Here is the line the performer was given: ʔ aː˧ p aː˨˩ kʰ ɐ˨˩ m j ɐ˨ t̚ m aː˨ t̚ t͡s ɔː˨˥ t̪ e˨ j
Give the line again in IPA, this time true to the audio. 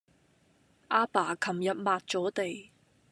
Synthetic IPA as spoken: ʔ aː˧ p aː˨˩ kʰ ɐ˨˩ m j ɐ˨ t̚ m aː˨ t̚ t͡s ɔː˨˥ t̪ e˨ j